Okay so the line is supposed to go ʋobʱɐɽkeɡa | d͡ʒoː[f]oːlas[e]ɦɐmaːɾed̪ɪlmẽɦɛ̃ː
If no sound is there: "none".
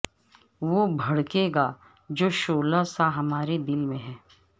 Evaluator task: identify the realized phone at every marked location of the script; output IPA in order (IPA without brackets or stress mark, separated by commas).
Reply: ʃ, a